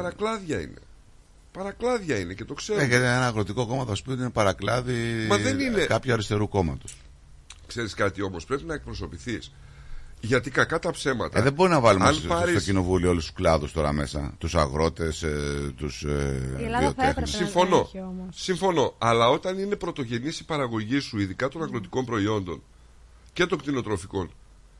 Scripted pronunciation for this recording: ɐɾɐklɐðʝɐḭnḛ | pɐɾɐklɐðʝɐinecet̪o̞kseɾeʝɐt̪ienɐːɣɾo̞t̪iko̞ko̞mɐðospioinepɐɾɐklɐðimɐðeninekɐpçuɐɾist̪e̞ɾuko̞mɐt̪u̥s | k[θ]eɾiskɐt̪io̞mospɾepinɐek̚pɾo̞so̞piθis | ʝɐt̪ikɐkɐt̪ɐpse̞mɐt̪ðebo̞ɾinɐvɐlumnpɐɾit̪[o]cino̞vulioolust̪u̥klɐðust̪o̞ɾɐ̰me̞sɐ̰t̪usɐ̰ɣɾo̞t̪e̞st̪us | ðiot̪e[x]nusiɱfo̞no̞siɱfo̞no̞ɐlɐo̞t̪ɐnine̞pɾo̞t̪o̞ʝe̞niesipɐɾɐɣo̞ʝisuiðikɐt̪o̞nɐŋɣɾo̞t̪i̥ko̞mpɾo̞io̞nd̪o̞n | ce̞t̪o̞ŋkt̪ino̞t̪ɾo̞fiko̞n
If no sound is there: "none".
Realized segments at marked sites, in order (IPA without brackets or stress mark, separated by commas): s, o, x